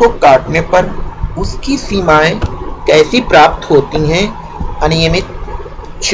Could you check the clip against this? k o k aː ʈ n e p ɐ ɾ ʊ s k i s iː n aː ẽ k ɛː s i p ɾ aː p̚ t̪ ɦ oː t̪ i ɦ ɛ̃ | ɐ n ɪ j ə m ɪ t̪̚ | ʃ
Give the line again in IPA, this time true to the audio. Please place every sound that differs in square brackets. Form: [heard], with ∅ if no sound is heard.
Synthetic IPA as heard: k o k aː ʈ n e p ɐ ɾ ʊ s k i s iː [m] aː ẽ k ɛː s i p ɾ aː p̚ t̪ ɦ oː t̪ i ɦ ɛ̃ | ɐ n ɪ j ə m ɪ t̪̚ | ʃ

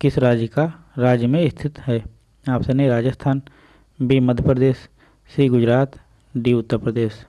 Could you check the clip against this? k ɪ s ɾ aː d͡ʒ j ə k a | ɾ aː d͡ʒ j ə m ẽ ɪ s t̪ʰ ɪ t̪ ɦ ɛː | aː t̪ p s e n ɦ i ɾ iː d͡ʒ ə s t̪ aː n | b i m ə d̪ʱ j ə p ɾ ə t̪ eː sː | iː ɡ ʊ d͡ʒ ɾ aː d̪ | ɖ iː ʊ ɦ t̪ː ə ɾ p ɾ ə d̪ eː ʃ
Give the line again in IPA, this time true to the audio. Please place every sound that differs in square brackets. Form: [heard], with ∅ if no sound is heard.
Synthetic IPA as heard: k ɪ s ɾ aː d͡ʒ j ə k a | ɾ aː d͡ʒ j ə m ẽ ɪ s t̪ʰ ɪ t̪ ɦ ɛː | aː [∅] p s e n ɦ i ɾ [aː] d͡ʒ ə s [t̪ʰ] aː n | b i m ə d̪ʱ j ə p ɾ ə [d̪] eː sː | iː ɡ ʊ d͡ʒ ɾ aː [t̪] | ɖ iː ʊ [∅] t̪ː ə ɾ p ɾ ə d̪ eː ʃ

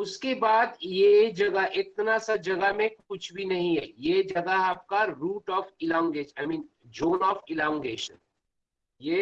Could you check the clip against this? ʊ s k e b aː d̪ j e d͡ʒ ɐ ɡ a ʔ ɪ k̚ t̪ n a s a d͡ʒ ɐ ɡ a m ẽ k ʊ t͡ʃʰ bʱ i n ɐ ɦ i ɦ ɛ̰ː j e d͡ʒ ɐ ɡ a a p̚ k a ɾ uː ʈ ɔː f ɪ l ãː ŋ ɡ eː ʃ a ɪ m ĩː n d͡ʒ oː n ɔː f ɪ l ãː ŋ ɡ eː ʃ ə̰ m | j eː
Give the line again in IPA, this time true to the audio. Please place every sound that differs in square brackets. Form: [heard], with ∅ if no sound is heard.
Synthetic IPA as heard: ʊ s k e b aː d̪ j e d͡ʒ ɐ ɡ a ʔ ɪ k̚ t̪ n a s a d͡ʒ ɐ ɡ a m ẽ k ʊ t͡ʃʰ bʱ i n ɐ ɦ [ĩ] ɦ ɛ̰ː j e d͡ʒ ɐ ɡ a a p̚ k a ɾ uː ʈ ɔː f ɪ l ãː ŋ ɡ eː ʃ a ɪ m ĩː n d͡ʒ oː n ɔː f ɪ l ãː ŋ ɡ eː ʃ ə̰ [n] | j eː

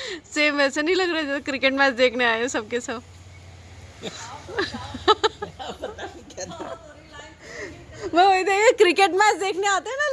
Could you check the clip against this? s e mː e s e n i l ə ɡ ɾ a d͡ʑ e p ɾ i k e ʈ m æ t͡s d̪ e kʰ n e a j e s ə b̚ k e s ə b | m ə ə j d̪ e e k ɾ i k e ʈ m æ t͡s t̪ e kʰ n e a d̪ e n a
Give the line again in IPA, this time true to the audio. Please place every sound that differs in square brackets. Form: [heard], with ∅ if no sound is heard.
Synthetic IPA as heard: s e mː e s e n i l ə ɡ ɾ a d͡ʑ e [k] ɾ i k e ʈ m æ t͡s d̪ e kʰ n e a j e s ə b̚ k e s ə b | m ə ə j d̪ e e k ɾ i k e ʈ m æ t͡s [d̪] e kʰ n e a [t̪] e n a

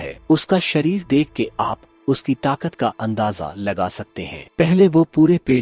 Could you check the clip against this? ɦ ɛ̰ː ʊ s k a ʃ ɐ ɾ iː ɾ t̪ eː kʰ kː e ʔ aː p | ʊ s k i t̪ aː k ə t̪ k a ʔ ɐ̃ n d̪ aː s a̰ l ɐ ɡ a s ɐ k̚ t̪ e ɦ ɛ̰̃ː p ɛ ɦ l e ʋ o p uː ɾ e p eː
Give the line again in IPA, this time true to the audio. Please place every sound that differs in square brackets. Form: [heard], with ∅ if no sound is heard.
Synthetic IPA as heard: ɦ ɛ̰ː ʊ s k a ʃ ɐ ɾ iː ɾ [d̪] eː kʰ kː e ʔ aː p | ʊ s k i t̪ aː k ə t̪ k a ʔ ɐ̃ n d̪ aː [z] a̰ l ɐ ɡ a s ɐ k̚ t̪ e ɦ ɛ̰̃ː p ɛ ɦ l e ʋ o p uː ɾ e p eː

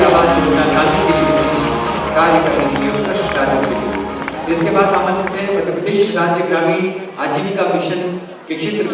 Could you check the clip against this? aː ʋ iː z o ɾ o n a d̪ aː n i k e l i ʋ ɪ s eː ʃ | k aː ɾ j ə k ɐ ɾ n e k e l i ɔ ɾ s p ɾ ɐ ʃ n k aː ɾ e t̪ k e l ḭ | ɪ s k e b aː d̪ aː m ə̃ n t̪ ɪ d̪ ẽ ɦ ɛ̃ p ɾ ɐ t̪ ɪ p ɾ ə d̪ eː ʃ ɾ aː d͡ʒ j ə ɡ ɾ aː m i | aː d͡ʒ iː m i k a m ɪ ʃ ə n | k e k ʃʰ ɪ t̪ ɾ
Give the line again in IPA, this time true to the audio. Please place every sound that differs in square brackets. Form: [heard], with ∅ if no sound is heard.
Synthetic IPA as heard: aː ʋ [aː] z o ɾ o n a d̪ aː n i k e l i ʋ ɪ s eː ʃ | k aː ɾ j ə k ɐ ɾ n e k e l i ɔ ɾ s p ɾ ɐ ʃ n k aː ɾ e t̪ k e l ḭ | ɪ s k e b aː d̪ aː m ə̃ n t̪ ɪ [t̪] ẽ ɦ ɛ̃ p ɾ ɐ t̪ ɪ p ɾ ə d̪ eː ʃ ɾ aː d͡ʒ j ə ɡ ɾ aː m i | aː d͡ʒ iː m i k a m ɪ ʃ ə n | k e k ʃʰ ɪ t̪ ɾ

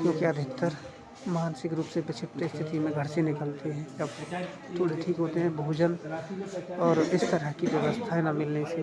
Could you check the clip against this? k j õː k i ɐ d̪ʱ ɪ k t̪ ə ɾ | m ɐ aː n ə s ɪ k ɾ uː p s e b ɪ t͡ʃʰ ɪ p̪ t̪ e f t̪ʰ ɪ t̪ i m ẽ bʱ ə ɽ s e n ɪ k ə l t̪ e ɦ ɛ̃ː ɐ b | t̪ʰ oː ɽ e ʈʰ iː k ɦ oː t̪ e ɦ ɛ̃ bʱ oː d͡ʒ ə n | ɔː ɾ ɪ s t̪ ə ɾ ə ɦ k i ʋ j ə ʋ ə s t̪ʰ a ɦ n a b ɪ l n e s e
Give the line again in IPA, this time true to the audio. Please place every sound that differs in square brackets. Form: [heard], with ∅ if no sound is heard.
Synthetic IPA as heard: k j õː k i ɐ d̪ʱ ɪ k t̪ ə ɾ | m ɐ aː n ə s ɪ k ɾ uː p s e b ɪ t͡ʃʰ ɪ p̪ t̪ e [s] t̪ʰ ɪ t̪ i m ẽ [ɡʱ] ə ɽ s e n ɪ k ə l t̪ e ɦ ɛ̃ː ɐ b | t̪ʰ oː ɽ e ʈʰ iː k ɦ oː t̪ e ɦ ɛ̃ bʱ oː d͡ʒ ə n | ɔː ɾ ɪ s t̪ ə ɾ ə ɦ k i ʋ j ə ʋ ə s t̪ʰ a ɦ n a [m] ɪ l n e s e

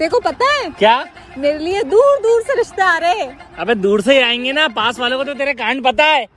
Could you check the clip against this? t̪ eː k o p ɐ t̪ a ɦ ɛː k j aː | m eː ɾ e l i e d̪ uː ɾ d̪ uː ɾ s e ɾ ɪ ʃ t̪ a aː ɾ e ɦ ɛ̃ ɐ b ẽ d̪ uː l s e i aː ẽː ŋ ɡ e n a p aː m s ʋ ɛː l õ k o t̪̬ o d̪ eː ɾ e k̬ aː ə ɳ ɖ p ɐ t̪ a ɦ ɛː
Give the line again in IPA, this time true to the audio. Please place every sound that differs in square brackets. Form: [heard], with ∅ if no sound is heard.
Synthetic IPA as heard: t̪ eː k o p ɐ t̪ a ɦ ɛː k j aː | m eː ɾ e l i e d̪ uː ɾ d̪ uː ɾ s e ɾ ɪ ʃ t̪ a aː ɾ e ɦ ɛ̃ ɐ b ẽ d̪ uː [ɾ] s e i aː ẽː ŋ ɡ e n a p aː [∅] s ʋ [aː] l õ k o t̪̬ o [t̪] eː ɾ e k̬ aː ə ɳ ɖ p ɐ t̪ a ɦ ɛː

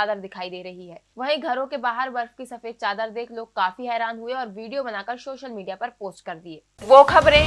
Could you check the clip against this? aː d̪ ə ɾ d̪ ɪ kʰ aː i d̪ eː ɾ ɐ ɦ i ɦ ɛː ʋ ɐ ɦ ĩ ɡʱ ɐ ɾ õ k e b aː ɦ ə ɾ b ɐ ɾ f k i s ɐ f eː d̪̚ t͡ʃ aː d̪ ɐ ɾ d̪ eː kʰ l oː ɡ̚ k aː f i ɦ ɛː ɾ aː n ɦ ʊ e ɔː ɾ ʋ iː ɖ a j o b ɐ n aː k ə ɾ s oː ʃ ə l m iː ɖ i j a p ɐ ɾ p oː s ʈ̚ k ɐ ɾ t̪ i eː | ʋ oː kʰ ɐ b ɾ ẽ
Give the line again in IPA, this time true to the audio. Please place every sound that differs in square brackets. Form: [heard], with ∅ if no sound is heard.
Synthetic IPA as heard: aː d̪ ə ɾ d̪ ɪ kʰ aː i d̪ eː ɾ ɐ ɦ i ɦ ɛː ʋ ɐ ɦ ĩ ɡʱ ɐ ɾ õ k e b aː ɦ ə ɾ b ɐ ɾ f k i s ɐ f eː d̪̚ t͡ʃ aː d̪ [ə] ɾ d̪ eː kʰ l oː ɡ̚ k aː f i ɦ ɛː ɾ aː n ɦ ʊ e ɔː ɾ ʋ iː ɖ [i] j o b ɐ n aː k ə ɾ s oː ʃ ə l m iː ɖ i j a p ɐ ɾ p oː s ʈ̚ k ɐ ɾ [d̪] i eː | ʋ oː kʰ ɐ b ɾ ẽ

